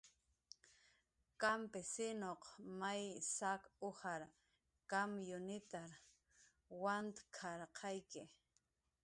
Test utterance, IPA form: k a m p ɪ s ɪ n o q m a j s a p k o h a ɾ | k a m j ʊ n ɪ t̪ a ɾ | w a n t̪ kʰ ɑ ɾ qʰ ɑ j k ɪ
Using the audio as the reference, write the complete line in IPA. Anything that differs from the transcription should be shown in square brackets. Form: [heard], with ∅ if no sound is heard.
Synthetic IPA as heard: k a m p ɪ s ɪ n o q m a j s a [∅] k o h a ɾ | k a m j ʊ n ɪ t̪ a ɾ | w a n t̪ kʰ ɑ ɾ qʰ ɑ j k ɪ